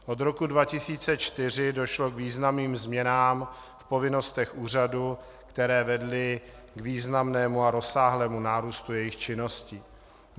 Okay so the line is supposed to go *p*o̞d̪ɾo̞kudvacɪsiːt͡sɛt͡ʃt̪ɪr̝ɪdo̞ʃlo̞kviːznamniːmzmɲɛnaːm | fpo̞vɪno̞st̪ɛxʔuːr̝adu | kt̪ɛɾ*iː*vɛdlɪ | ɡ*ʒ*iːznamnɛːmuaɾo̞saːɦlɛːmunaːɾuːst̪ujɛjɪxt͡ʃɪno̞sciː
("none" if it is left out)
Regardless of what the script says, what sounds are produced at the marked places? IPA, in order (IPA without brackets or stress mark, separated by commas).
ʔ, ɛː, v